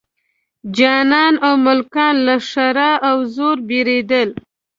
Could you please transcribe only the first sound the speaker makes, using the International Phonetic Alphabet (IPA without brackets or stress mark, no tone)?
d͡ʒ